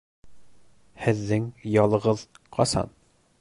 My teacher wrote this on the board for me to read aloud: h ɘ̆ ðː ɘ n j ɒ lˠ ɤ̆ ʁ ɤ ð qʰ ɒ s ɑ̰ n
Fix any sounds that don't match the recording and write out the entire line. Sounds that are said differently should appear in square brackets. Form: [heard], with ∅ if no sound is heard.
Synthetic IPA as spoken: h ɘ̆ ðː ɘ [ŋ] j ɒ lˠ ɤ̆ ʁ ɤ ð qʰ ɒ s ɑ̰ n